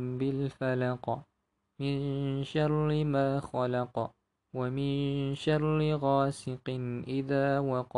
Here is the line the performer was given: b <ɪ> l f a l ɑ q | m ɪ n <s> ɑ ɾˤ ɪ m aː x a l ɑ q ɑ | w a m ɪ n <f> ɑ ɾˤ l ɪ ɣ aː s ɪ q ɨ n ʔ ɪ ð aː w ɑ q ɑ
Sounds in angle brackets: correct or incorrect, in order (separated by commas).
correct, incorrect, incorrect